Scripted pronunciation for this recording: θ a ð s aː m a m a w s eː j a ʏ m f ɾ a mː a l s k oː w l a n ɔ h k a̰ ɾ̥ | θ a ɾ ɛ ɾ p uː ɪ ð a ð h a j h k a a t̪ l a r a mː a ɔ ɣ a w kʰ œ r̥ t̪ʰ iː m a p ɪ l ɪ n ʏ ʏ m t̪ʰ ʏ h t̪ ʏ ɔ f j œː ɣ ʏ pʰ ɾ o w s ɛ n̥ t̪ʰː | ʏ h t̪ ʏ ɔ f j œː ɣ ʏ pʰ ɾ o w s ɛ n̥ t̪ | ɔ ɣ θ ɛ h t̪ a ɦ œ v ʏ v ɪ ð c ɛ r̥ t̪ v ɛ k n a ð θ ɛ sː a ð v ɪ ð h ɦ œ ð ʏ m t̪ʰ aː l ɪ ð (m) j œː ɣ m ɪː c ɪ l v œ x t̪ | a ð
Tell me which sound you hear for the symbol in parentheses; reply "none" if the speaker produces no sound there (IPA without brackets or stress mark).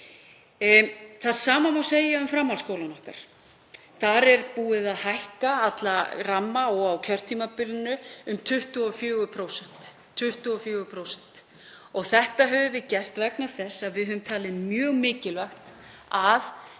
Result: m